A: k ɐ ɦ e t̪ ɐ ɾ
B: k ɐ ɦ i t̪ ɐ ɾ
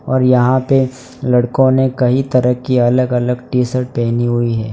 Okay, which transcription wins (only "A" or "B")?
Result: B